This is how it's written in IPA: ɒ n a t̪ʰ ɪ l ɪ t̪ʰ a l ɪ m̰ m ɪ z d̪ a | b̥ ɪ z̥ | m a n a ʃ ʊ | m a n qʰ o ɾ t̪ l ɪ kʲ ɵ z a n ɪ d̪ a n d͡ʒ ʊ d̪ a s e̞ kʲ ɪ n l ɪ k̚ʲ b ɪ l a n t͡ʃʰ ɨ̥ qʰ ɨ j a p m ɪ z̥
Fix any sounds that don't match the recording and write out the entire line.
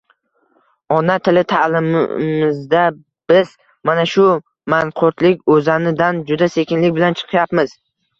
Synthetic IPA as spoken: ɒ n a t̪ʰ ɪ l ɪ t̪ʰ a l ɪ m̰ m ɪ z d̪ a | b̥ ɪ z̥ | m a n a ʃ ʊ | m a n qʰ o ɾ t̪ l ɪ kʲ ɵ z a n ɪ d̪ a n d͡ʒ ʊ d̪ a s e̞ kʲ ɪ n l ɪ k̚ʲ b ɪ l a n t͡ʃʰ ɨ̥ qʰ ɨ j a p m ɪ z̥

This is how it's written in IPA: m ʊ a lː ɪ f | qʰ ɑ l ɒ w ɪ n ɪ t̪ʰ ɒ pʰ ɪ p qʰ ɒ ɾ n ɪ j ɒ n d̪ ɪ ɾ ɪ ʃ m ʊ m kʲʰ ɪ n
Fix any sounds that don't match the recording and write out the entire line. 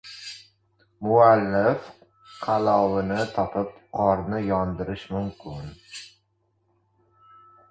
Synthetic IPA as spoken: m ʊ a lː ɪ f | qʰ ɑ l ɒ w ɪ n ɪ t̪ʰ ɒ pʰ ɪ p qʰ ɒ ɾ n ɪ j ɒ n d̪ ɪ ɾ ɪ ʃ m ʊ m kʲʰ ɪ n

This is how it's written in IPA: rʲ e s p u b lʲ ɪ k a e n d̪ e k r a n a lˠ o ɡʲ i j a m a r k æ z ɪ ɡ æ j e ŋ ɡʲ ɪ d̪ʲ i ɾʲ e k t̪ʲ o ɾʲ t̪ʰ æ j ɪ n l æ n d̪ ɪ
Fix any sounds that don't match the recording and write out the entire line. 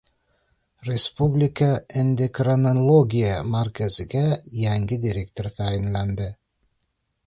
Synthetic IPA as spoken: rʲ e s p u b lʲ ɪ k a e n d̪ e k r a n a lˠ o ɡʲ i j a m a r k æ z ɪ ɡ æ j æ ŋ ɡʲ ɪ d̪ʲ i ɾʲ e k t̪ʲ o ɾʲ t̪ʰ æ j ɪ n l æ n d̪ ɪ

